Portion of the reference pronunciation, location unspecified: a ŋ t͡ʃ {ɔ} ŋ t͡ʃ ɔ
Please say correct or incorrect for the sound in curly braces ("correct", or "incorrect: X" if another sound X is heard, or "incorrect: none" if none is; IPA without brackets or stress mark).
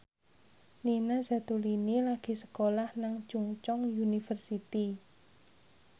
incorrect: u